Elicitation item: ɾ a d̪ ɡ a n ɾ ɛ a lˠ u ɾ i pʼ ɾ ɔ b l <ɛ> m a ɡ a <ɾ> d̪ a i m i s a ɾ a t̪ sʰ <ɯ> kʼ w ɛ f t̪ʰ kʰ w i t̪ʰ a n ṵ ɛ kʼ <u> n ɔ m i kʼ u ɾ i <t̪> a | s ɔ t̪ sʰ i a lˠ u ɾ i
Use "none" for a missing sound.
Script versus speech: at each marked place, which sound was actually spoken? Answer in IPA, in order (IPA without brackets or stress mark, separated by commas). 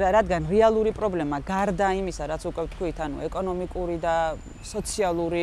ɛ, ɾ, u, ɔ, d̪